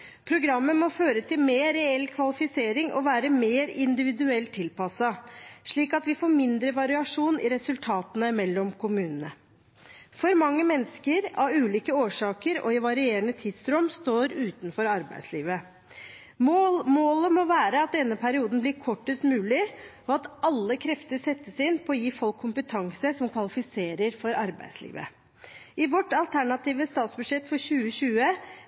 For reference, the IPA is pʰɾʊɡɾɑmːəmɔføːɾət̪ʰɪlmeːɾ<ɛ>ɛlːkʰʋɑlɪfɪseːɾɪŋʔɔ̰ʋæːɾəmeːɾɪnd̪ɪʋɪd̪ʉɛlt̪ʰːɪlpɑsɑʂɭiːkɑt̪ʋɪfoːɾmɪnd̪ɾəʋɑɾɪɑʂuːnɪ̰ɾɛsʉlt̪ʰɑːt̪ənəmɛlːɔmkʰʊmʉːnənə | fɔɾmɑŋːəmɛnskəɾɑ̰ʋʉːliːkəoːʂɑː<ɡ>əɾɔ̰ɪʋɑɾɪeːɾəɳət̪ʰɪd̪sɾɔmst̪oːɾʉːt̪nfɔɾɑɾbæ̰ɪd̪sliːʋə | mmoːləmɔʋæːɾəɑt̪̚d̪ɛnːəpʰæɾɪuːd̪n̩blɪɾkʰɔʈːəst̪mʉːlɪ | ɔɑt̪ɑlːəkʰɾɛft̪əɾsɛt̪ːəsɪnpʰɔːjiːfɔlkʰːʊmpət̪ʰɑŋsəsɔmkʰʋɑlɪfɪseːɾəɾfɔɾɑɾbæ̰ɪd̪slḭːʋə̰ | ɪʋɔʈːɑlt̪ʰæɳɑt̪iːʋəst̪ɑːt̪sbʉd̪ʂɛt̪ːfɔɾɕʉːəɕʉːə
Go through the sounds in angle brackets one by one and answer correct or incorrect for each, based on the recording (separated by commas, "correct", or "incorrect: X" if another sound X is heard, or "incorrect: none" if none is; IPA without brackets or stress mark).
correct, incorrect: k